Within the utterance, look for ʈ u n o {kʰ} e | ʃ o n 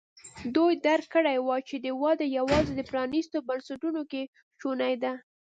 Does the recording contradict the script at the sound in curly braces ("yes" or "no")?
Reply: yes